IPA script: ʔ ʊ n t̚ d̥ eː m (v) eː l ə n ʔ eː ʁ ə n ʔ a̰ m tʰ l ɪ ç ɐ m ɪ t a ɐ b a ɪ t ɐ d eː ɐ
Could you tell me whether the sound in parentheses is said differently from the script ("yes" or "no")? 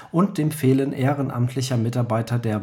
yes